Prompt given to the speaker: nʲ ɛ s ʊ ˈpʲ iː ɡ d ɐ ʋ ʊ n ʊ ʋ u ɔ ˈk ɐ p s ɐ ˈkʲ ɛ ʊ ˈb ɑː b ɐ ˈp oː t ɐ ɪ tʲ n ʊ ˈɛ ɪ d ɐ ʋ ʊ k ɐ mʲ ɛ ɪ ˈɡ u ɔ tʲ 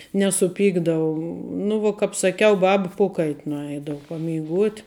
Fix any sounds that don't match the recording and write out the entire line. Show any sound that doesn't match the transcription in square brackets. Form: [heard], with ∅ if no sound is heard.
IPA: nʲ ɛ s ʊ ˈpʲ iː ɡ d ɐ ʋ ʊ n ʊ ʋ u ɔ ˈk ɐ p s ɐ ˈkʲ ɛ ʊ ˈb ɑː b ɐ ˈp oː [k] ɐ ɪ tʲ n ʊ ˈɛ ɪ d ɐ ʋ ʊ [p] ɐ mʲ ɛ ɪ ˈɡ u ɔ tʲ